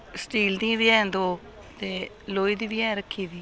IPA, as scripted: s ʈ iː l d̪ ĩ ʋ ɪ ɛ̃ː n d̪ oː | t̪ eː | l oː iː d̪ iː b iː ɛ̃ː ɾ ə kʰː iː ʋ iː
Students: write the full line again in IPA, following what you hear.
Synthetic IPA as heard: s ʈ iː l d̪ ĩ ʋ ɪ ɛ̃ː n d̪ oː | t̪ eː | l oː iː d̪ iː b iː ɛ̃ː ɾ ə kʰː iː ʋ iː